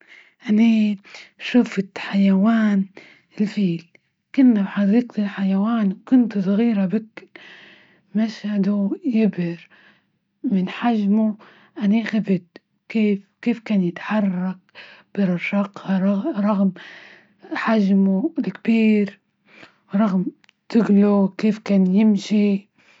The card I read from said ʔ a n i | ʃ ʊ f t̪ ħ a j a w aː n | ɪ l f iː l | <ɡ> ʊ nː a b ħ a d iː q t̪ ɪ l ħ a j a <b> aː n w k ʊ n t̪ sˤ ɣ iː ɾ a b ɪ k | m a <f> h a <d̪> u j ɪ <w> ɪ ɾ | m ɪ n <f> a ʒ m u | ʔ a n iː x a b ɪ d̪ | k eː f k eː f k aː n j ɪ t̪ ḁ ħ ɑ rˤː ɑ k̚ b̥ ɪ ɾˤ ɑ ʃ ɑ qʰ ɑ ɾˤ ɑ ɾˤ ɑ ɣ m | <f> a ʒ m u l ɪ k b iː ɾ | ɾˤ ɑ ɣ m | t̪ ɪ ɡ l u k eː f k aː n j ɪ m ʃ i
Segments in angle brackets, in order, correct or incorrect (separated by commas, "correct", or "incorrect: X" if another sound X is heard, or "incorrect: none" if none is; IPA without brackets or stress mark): incorrect: k, incorrect: w, incorrect: ʃ, correct, incorrect: b, incorrect: ħ, incorrect: ħ